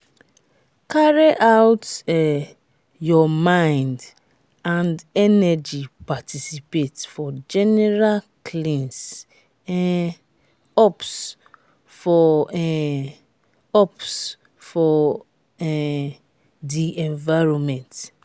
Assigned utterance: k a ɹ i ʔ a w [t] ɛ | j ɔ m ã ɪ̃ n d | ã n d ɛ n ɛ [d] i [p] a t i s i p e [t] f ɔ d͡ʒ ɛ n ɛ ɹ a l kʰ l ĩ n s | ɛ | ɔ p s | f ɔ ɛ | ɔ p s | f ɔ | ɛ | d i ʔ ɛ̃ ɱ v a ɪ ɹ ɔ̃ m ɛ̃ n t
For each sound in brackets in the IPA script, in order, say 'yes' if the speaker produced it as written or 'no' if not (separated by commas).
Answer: yes, no, yes, yes